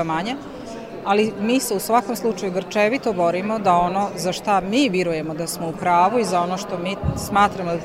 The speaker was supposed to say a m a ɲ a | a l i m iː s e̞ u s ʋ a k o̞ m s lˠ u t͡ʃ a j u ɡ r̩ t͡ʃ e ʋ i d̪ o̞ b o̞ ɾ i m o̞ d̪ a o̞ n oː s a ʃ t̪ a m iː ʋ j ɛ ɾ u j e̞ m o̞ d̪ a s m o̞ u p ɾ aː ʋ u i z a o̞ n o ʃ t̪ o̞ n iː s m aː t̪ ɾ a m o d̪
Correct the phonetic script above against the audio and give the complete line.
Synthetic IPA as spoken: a m a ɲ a | a l i m iː s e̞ u s ʋ a k o̞ m s lˠ u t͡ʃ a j u ɡ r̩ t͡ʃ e ʋ i t̪ o̞ b o̞ ɾ i m o̞ d̪ a o̞ n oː z a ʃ t̪ a m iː ʋ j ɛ ɾ u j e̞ m o̞ d̪ a s m o̞ u p ɾ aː ʋ u i z a o̞ n o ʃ t̪ o̞ m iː s m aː t̪ ɾ a m o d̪